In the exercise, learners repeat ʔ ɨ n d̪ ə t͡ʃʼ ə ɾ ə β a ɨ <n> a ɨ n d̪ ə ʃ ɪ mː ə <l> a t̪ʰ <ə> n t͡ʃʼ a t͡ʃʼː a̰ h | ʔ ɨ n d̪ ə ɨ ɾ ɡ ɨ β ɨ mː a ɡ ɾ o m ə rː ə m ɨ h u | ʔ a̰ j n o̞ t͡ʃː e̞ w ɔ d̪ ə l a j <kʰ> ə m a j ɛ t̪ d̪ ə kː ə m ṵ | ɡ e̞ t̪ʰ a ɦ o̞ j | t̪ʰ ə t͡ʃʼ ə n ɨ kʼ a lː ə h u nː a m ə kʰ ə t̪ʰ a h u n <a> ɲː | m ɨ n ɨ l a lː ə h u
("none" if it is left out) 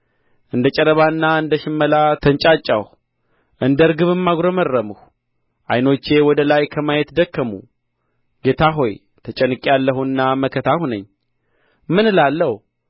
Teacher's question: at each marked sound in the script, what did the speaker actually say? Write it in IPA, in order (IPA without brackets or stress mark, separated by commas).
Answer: nː, l, ə, kʰ, ə